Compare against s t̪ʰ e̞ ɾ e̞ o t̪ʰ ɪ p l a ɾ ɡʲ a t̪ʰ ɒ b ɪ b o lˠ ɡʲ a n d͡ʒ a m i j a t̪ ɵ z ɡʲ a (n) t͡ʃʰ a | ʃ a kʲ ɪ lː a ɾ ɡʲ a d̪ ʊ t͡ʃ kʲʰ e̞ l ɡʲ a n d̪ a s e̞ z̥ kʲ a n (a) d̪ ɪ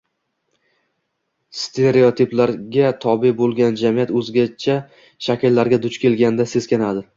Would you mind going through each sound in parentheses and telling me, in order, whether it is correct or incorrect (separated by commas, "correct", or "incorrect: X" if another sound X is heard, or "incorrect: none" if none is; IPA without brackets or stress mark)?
incorrect: none, correct